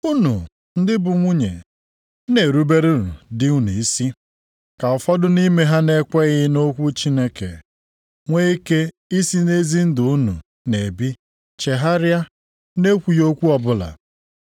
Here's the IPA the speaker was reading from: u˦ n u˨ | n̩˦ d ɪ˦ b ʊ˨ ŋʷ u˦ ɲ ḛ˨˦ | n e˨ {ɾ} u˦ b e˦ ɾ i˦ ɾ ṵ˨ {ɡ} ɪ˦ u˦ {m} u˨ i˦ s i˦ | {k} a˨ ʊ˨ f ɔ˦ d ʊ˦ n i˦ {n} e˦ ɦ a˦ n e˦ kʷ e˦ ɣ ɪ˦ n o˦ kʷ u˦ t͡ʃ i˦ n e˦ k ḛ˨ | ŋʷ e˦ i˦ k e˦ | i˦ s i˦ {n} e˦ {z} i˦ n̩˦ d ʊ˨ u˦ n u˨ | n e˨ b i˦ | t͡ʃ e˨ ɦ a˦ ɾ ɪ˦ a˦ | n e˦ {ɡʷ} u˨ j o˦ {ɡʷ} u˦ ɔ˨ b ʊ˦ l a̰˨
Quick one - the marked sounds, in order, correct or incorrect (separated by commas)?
correct, incorrect, incorrect, correct, incorrect, correct, correct, incorrect, incorrect